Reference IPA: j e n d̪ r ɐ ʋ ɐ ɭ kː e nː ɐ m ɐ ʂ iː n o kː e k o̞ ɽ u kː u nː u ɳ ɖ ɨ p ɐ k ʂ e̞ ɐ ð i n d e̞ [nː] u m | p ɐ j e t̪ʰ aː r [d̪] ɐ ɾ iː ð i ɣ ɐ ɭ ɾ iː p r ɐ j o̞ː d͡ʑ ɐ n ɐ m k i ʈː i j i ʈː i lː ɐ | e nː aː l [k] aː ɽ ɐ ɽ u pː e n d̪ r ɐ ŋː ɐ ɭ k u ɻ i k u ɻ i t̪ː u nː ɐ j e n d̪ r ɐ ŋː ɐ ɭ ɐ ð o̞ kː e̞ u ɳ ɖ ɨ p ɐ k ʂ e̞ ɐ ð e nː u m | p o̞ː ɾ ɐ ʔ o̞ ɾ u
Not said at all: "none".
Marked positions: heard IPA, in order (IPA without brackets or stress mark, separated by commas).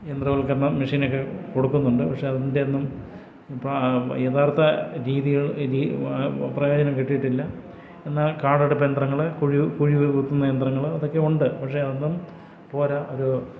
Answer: nː, t̪, k